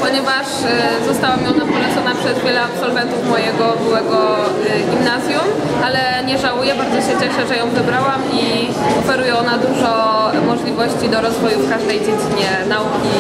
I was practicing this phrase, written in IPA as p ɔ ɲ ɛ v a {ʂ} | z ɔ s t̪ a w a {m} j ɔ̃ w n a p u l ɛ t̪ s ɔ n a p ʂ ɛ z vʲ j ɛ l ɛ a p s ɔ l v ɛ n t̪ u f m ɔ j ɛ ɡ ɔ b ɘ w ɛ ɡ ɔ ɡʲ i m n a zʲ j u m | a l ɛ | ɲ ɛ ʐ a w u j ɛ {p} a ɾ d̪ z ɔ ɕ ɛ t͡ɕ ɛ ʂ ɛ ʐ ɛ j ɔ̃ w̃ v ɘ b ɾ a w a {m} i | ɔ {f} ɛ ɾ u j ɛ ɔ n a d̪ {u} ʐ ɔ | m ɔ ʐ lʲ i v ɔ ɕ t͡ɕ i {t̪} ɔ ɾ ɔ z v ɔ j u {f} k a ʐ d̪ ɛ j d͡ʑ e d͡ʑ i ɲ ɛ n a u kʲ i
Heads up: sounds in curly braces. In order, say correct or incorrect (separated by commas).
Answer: correct, correct, incorrect, correct, correct, correct, incorrect, correct